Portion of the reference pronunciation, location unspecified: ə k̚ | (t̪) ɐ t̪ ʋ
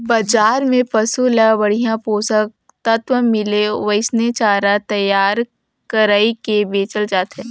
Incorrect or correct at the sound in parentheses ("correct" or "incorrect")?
correct